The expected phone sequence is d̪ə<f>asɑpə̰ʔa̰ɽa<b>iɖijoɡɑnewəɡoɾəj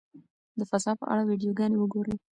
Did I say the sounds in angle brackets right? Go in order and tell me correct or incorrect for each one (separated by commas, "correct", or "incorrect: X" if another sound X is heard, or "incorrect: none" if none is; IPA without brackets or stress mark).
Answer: correct, incorrect: w